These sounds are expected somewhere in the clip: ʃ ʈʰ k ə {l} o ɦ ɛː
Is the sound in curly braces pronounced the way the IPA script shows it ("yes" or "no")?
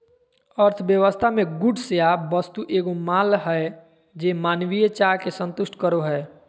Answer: no